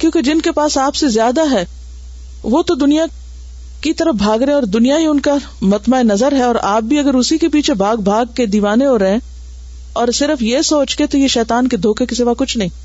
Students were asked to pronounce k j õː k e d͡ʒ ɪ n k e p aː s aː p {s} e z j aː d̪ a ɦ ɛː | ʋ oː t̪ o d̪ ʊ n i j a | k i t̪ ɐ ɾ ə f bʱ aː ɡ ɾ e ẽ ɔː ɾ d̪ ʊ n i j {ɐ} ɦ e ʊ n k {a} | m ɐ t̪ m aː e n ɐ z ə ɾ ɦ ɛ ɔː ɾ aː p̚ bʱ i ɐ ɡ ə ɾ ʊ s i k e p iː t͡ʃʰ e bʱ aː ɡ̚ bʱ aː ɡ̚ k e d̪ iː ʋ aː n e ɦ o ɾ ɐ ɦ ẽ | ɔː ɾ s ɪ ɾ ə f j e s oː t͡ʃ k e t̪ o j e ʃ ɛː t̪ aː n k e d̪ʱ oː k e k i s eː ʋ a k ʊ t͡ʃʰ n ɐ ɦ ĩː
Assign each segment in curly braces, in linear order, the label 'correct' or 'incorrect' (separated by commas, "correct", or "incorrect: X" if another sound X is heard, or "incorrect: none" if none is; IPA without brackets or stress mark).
correct, incorrect: a, correct